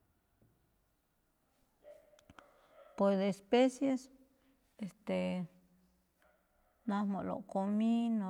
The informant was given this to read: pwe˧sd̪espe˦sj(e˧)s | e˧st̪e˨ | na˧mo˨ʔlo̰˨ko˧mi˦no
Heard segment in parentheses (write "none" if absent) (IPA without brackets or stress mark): e˧